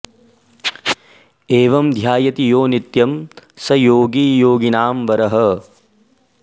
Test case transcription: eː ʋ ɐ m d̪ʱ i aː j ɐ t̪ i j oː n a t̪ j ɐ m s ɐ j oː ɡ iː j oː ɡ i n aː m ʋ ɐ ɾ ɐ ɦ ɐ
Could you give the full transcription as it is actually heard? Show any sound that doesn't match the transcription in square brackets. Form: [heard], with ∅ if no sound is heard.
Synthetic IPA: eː ʋ ɐ m d̪ʱ [j] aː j ɐ t̪ i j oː n [i] t̪ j ɐ m s ɐ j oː ɡ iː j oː ɡ i n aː m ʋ ɐ ɾ ɐ ɦ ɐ